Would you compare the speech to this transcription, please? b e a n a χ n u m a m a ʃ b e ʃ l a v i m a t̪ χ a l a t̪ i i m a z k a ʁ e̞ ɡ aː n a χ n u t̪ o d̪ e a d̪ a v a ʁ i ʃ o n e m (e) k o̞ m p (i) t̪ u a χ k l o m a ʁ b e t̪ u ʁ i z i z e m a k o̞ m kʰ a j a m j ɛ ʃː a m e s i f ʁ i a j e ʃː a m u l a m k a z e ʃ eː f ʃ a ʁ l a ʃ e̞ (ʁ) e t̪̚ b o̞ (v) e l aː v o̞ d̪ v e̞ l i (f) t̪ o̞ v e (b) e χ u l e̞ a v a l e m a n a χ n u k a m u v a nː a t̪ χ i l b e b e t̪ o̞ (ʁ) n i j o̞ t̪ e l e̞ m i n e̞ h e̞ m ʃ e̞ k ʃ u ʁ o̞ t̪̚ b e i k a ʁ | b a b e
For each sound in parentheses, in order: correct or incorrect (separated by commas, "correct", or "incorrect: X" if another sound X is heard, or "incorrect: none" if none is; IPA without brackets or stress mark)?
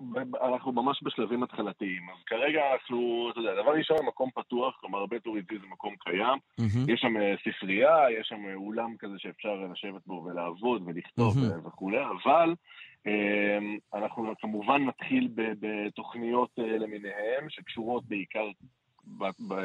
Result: incorrect: a, incorrect: a, incorrect: v, correct, incorrect: χ, incorrect: v, incorrect: χ